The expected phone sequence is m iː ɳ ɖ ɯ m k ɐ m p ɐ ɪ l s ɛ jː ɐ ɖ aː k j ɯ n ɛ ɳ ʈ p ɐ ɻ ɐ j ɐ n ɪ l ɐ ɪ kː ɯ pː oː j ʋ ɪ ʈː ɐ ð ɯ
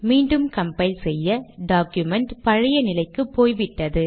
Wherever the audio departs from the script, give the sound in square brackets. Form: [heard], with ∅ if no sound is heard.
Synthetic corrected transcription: m iː ɳ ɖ ɯ m k ɐ m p ɐ ɪ l s ɛ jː ɐ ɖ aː k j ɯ [m] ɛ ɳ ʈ p ɐ ɻ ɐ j ɐ n ɪ l ɐ ɪ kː ɯ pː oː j ʋ ɪ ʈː ɐ ð ɯ